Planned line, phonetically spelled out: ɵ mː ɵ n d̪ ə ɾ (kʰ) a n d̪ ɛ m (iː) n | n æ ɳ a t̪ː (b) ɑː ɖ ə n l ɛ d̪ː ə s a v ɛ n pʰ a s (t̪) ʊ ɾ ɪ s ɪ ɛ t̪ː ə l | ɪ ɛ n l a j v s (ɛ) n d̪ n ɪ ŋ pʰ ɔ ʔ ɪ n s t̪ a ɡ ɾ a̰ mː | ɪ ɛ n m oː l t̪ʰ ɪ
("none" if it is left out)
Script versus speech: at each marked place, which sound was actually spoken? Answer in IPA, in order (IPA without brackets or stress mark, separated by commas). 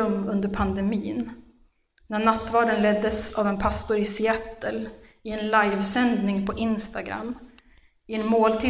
pʰ, iː, v, t̪, ɛ